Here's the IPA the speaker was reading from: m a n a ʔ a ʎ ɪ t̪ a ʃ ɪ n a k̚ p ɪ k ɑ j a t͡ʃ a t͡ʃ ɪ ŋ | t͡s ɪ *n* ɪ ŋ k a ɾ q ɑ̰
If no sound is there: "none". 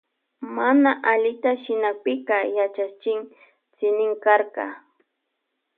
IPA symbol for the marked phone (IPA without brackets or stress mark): n